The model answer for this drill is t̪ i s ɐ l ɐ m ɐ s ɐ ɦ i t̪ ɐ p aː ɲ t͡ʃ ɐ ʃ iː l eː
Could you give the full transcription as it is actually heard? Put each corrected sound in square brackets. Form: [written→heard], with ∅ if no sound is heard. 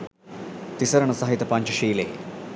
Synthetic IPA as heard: t̪ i s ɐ [l→ɾ] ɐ [m→ɳ] ɐ s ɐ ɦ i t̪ ɐ p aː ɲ t͡ʃ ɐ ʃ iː l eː